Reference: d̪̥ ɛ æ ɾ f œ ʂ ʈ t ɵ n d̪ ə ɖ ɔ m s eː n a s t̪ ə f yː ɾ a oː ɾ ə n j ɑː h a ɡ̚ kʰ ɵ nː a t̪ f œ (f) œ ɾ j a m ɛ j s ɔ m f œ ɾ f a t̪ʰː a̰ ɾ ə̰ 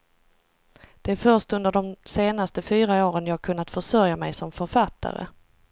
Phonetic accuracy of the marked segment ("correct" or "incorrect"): incorrect